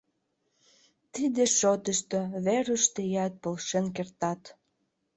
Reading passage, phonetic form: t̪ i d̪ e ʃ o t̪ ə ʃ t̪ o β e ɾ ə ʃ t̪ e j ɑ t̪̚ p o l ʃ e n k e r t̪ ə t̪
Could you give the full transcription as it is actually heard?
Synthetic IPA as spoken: t̪ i d̪ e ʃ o t̪ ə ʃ t̪ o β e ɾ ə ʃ t̪ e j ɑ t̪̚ p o l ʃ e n k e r t̪ ɑ t̪